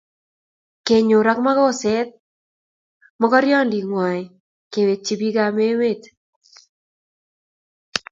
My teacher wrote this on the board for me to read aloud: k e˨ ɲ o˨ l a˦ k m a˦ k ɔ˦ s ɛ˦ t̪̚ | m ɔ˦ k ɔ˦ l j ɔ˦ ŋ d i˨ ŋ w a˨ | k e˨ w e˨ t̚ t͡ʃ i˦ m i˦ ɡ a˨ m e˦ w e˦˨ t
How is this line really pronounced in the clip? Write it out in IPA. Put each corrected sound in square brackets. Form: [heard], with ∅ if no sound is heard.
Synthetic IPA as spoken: k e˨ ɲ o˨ [ɾ] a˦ k m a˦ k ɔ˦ s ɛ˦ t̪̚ | m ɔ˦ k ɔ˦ [ɾ] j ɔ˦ [n] d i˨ ŋ w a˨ | k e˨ w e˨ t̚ t͡ʃ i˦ [b] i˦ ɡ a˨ m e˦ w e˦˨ t

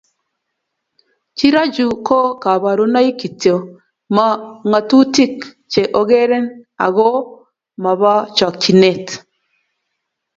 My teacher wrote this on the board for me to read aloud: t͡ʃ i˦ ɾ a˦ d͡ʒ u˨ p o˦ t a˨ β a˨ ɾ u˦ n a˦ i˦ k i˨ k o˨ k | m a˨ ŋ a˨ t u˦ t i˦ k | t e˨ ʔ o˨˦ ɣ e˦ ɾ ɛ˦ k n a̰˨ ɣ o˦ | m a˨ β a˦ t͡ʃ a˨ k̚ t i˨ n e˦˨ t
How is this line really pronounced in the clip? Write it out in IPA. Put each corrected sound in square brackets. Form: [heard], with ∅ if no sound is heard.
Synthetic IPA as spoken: t͡ʃ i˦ ɾ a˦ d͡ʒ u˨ [k] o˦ [k] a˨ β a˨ ɾ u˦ n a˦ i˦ k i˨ [t] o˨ [∅] | m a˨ ŋ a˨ t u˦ t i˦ k | [t͡ʃ] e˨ ʔ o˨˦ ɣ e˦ ɾ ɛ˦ [∅] n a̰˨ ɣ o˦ | m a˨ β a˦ t͡ʃ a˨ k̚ [t͡ʃ] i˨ n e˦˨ t

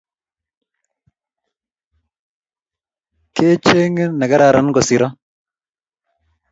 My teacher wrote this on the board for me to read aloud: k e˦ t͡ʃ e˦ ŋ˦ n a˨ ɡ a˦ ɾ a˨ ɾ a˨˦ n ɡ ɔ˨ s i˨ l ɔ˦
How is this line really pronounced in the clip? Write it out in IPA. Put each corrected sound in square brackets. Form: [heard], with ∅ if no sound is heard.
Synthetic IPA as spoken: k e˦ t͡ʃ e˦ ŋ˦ n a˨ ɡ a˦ ɾ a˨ ɾ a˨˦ n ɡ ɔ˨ s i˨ [ɾ] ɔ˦

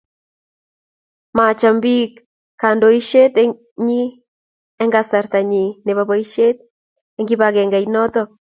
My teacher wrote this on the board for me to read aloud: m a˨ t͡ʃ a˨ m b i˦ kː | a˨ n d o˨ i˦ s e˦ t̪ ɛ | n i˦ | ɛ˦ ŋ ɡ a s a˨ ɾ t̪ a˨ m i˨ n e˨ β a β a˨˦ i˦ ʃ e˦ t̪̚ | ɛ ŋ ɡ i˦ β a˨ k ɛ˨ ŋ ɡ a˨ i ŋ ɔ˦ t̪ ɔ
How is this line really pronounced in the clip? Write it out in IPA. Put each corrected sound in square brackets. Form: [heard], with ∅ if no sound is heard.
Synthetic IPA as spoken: m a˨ t͡ʃ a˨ m b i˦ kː | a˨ n d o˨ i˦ [ʃ] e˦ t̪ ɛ | [ɲ] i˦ | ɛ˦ ŋ ɡ a s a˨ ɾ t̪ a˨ [ɲ] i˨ n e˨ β a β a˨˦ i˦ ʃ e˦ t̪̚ | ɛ ŋ ɡ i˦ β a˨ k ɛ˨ ŋ ɡ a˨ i [n] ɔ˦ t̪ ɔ

